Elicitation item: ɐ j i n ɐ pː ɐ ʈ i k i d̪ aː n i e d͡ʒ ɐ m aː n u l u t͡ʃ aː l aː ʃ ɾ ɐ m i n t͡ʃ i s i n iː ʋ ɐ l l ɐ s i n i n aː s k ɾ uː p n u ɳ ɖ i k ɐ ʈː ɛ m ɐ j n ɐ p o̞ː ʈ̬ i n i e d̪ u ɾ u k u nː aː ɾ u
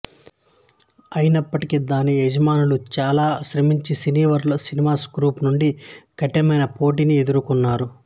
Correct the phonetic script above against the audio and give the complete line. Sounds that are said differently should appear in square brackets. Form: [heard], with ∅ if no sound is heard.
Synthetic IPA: ɐ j i n ɐ pː ɐ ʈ i k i d̪ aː n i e d͡ʒ ɐ m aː n u l u t͡ʃ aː l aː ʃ ɾ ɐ m i [ɲ] t͡ʃ i s i n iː ʋ ɐ [ɾ] l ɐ s i n i [m] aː s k ɾ uː p n u ɳ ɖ i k ɐ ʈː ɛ m ɐ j n ɐ p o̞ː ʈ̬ i n i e d̪ u ɾ u k u nː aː ɾ u